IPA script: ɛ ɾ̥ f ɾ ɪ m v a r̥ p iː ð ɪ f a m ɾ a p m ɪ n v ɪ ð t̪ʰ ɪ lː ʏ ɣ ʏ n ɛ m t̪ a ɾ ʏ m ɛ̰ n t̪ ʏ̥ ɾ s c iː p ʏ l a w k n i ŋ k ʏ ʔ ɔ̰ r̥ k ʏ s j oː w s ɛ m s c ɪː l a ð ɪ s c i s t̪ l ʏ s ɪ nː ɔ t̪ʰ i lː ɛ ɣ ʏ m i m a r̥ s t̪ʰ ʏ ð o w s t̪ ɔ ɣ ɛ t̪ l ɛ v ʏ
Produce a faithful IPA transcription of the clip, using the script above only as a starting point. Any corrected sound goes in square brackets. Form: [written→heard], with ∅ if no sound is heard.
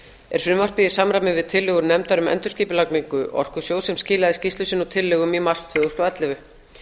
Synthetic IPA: ɛ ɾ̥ f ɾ ɪ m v a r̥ p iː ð ɪ [f→s] a m ɾ a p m ɪ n v ɪ ð t̪ʰ ɪ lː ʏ ɣ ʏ n ɛ m t̪ a ɾ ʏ m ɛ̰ n t̪ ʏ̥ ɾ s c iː p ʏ l a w k n i ŋ k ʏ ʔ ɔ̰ r̥ k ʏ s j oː w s ɛ m s c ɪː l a ð ɪ s c i s t̪ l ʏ s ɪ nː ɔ t̪ʰ [i→ɪ] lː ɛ ɣ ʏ m i m a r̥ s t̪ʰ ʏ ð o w s t̪ ɔ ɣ ɛ t̪ l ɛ v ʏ